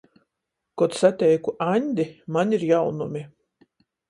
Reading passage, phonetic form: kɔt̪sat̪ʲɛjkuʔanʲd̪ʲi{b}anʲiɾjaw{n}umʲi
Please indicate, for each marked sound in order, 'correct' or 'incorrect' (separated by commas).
incorrect, correct